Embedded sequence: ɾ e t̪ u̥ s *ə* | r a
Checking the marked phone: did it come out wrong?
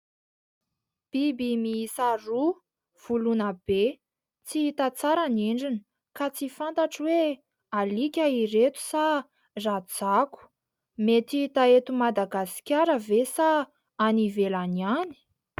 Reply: yes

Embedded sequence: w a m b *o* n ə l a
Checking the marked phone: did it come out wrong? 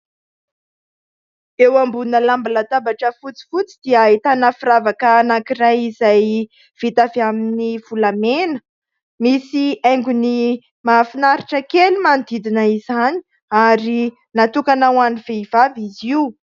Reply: yes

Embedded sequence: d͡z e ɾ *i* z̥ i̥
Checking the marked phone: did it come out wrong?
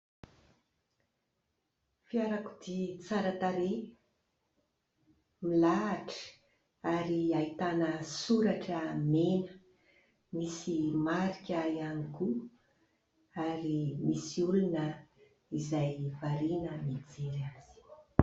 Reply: yes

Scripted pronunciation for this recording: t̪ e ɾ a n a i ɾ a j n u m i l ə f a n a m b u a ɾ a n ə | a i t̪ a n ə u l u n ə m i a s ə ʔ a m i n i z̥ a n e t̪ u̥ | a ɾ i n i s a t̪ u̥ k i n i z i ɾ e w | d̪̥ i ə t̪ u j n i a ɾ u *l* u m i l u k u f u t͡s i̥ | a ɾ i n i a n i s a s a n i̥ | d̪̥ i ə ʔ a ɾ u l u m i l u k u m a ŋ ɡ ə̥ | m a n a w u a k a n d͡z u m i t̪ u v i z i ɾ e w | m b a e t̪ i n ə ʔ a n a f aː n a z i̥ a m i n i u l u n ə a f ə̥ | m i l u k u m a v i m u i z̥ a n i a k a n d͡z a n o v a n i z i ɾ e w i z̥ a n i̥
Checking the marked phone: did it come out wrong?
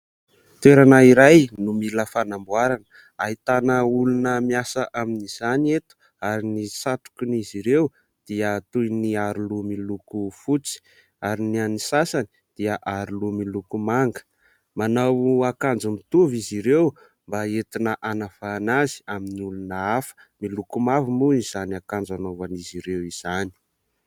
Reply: no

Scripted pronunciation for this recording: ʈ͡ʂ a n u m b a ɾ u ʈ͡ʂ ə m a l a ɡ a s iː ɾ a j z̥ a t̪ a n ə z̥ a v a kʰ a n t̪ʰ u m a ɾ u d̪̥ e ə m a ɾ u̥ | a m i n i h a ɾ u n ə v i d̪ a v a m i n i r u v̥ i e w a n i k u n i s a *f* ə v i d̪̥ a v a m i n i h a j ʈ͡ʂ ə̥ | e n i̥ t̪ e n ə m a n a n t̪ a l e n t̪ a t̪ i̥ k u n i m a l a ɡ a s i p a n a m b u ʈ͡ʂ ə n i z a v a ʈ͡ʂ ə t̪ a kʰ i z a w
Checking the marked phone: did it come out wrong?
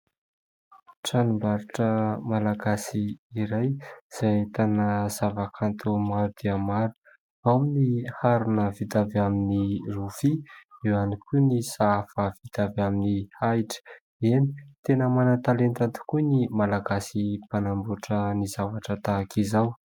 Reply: no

